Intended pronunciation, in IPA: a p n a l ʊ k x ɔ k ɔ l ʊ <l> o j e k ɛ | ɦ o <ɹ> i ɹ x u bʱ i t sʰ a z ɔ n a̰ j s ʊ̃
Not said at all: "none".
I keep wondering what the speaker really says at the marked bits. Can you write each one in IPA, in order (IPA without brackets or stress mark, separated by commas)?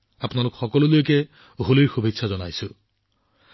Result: l, l